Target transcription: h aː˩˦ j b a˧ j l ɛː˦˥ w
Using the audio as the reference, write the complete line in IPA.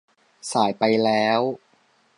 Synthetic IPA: s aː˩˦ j p a˧ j l ɛː˦˥ w